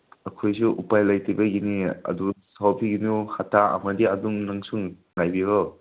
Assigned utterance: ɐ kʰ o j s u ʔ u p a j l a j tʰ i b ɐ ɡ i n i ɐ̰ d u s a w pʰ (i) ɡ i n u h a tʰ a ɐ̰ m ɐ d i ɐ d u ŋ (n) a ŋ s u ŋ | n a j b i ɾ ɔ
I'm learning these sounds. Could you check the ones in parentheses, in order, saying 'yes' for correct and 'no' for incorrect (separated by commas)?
yes, yes